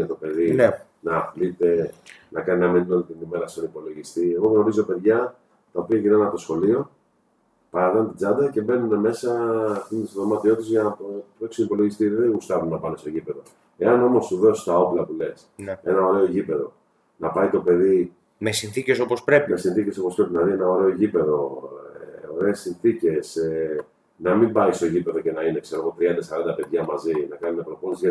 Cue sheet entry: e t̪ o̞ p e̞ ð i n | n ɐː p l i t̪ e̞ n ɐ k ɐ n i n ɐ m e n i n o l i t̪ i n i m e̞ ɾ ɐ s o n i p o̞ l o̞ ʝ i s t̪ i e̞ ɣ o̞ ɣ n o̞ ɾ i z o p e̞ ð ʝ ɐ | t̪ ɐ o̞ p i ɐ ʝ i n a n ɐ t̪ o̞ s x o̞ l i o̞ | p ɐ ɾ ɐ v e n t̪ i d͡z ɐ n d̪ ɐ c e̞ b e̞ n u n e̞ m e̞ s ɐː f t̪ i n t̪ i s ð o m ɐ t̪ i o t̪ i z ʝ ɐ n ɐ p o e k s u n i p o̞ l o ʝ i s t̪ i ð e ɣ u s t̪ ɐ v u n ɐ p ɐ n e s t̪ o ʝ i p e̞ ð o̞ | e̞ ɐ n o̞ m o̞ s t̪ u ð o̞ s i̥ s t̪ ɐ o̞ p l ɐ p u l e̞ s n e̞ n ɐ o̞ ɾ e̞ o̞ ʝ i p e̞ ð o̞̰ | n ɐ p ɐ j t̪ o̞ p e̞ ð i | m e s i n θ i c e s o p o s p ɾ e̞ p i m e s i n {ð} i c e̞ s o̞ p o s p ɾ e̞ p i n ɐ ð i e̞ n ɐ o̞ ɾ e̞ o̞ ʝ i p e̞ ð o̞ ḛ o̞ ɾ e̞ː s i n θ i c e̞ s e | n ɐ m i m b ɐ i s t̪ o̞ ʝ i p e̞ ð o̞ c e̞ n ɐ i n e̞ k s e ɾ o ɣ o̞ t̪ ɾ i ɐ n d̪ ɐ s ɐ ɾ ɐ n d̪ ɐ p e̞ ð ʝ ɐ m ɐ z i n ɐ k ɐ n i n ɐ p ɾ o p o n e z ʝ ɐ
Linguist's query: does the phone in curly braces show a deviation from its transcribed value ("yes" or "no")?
yes